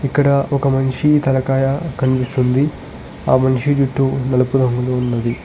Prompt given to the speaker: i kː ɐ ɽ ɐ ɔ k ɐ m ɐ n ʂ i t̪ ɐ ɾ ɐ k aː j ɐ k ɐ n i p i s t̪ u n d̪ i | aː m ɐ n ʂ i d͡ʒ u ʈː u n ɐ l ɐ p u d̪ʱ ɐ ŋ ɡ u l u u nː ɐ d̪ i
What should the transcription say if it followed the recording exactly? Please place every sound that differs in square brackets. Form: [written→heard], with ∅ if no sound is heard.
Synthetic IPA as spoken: i kː ɐ ɽ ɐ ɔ k ɐ m ɐ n ʂ i t̪ ɐ [ɾ→l] ɐ k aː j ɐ k ɐ n i p i s t̪ u n d̪ i | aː m ɐ n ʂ i d͡ʒ u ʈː u n ɐ l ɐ p u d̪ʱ ɐ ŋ ɡ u l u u nː ɐ d̪ i